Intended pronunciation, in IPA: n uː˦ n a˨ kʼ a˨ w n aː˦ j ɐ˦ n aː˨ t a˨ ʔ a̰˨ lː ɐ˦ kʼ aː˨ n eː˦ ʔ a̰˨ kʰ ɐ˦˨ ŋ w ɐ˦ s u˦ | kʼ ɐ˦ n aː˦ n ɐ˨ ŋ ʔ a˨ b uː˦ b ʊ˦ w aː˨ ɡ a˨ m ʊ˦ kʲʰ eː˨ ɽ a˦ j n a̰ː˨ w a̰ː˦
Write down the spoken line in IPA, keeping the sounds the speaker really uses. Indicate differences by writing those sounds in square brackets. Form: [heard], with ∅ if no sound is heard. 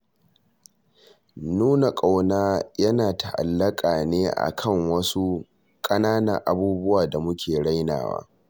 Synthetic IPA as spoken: n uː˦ n a˨ kʼ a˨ w n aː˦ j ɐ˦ n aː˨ t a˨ ʔ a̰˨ lː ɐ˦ kʼ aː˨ n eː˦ ʔ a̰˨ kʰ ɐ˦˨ ŋ w ɐ˦ s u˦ | kʼ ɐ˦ n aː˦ n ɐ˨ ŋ ʔ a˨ b uː˦ b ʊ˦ w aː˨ [d] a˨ m ʊ˦ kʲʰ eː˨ ɽ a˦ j n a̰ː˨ w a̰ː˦